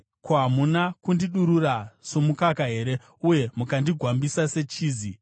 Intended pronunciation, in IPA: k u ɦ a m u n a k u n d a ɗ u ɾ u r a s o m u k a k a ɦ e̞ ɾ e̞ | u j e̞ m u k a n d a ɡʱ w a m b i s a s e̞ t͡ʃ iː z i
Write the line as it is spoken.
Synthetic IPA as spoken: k o ɦ a m u n a k u n d i ɗ u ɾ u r a s o m u k a k a ɦ e̞ ɾ e̞ | u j e̞ m u k a n d i ɡʱ w a m b i s a s e̞ t͡ʃ iː z i